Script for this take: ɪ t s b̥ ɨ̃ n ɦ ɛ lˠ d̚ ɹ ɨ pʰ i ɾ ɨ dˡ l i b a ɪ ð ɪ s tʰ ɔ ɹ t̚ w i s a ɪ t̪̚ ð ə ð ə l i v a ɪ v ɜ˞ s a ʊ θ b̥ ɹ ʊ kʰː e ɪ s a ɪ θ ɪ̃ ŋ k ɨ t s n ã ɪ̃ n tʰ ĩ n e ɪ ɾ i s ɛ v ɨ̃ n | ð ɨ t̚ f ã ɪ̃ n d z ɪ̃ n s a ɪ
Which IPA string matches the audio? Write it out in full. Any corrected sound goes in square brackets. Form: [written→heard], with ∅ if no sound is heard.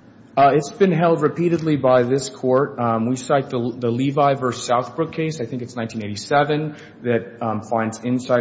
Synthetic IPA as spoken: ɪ t s b̥ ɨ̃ n ɦ ɛ lˠ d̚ ɹ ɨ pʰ i ɾ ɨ dˡ l i b a ɪ ð ɪ s [tʰ→kʰ] ɔ ɹ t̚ w i s a ɪ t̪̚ ð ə ð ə l i v a ɪ v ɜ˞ s a ʊ θ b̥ ɹ ʊ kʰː e ɪ s a ɪ θ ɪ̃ ŋ k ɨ t s n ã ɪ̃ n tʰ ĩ n e ɪ ɾ i s ɛ v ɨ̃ n | ð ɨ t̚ f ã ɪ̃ n d z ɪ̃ n s a ɪ